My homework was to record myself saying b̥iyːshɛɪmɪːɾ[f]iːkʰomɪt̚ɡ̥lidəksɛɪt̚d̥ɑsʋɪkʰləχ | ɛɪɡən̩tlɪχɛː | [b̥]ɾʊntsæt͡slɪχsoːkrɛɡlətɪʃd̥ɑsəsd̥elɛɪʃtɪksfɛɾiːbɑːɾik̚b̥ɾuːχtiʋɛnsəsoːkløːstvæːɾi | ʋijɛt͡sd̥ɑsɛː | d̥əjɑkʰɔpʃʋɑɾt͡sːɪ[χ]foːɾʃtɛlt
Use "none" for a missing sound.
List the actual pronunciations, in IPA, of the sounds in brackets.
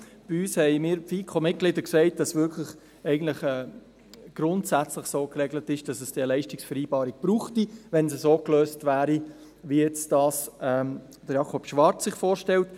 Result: f, ɡ̥, χ

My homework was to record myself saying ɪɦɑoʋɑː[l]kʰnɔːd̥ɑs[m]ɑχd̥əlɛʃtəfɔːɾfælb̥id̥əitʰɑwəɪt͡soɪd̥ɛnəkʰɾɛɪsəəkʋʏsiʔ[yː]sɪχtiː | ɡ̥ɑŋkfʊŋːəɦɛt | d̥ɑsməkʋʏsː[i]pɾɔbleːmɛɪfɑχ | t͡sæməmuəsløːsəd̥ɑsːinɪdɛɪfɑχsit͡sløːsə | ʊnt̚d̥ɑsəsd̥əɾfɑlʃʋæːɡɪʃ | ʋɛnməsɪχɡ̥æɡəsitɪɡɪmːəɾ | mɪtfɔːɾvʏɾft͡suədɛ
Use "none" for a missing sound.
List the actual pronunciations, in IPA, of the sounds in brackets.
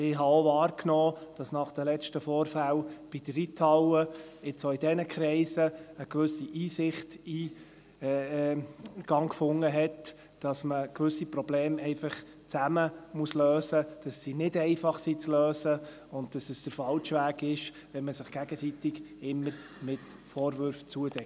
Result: ɾ, n, iː, i

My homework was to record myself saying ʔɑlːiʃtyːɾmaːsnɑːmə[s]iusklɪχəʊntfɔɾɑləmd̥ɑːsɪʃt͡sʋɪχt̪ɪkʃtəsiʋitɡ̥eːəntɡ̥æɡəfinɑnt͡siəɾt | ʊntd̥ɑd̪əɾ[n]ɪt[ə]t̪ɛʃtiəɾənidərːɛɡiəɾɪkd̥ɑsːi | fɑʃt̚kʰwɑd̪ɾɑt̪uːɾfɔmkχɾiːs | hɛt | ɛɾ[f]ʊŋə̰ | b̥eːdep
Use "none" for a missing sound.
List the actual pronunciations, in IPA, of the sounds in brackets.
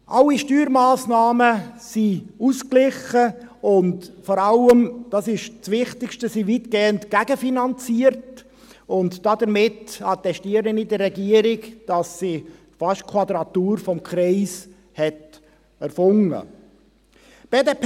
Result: s, m, ɑ, f

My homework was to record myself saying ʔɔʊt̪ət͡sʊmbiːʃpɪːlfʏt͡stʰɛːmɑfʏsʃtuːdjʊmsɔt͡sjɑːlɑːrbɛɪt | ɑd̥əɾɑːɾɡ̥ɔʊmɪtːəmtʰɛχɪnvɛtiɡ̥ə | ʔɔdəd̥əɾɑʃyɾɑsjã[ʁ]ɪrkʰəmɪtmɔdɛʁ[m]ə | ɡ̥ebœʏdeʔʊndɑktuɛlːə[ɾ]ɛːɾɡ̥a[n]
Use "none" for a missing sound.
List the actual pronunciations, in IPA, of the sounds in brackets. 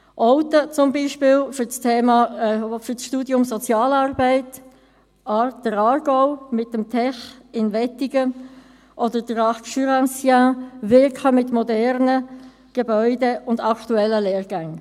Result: v, n, l, ŋ

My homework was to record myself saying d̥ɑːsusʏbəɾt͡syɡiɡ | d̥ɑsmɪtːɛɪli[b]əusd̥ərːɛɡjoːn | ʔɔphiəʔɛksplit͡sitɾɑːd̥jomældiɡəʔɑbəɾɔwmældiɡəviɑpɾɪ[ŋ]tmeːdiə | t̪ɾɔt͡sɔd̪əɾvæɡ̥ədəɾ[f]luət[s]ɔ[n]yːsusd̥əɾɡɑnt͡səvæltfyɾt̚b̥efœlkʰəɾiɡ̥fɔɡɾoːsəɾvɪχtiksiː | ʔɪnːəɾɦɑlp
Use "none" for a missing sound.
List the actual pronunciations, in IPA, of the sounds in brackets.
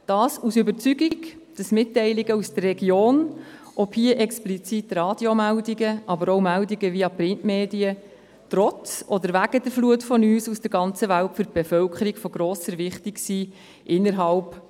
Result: ɡ, n, f, f, n

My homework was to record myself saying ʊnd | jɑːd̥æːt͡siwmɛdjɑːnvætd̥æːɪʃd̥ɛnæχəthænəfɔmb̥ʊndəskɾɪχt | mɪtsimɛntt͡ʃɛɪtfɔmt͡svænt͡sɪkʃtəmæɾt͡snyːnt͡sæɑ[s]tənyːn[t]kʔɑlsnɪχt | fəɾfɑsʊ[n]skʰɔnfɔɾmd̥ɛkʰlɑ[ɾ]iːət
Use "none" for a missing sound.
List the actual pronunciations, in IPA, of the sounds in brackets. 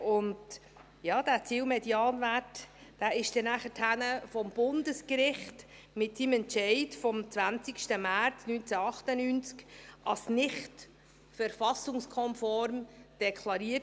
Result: χ, t͡s, ŋ, ɾ

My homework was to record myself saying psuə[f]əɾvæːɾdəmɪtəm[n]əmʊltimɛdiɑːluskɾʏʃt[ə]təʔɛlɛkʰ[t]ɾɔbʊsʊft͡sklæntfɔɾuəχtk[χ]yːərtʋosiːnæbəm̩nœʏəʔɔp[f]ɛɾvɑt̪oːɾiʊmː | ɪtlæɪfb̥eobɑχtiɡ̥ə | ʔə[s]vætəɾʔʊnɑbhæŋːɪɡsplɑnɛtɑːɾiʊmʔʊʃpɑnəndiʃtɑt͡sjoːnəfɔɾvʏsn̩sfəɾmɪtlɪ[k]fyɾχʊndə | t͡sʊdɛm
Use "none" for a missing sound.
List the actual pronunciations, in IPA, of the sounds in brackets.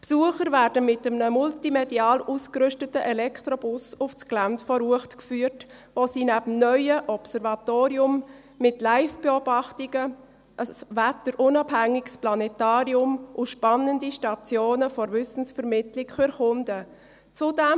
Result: χ, n, ə, t, f, s, s, k

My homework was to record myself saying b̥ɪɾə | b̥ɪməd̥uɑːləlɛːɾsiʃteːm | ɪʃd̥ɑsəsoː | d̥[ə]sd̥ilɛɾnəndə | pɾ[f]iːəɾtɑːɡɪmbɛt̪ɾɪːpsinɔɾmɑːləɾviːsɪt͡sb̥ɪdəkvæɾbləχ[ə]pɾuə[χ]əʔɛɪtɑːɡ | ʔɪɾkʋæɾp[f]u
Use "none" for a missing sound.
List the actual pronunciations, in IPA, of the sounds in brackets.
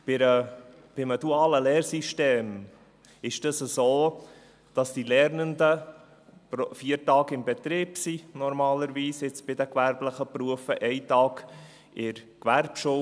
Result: ɑ, f, ə, f, ʃ

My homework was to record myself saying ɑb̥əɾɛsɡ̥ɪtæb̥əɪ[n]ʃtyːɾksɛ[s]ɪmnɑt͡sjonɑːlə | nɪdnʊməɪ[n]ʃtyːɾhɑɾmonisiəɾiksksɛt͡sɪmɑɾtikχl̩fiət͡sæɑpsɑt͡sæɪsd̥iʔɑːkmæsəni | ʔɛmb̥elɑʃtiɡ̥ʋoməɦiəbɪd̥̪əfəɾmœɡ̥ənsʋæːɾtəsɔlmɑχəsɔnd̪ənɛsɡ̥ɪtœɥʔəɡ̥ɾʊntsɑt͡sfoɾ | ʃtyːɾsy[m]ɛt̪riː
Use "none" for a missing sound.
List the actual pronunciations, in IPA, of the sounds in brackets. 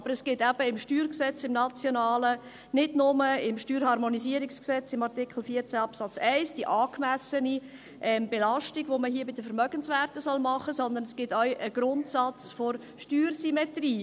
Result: m, t͡s, m, m

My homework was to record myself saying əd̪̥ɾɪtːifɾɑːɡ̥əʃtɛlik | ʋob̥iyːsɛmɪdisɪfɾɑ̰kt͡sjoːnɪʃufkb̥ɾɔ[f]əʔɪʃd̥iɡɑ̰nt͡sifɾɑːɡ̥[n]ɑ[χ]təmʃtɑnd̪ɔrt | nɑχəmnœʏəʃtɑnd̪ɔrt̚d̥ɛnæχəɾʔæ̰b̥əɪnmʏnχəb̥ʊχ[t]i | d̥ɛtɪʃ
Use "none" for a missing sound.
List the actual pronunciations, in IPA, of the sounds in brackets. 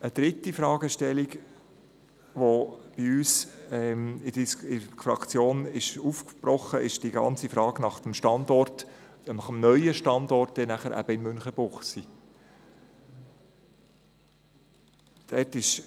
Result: χ, n, χ, s

